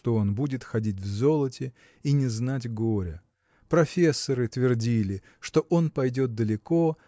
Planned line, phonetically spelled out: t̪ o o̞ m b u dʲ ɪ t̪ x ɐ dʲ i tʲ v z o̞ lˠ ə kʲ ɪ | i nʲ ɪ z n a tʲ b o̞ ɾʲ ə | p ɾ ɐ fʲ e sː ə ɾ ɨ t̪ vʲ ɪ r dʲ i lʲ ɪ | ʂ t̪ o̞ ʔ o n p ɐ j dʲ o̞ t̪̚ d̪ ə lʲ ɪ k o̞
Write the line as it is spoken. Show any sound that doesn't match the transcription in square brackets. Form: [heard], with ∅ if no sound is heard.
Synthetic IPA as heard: t̪ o o̞ [n] b u dʲ ɪ t̪ x ɐ dʲ i tʲ v z o̞ lˠ ə [tʲ] ɪ | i nʲ ɪ z n a tʲ [ɡ] o̞ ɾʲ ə | p ɾ ɐ fʲ e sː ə ɾ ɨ t̪ vʲ ɪ r dʲ i lʲ ɪ | ʂ t̪ o̞ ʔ o n p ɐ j dʲ o̞ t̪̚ d̪ ə lʲ ɪ k o̞